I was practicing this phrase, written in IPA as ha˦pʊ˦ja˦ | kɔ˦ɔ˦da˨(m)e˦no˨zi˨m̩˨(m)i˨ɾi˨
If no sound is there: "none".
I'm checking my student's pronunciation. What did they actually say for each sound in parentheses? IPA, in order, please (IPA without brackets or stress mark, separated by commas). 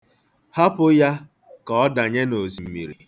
ɲ, m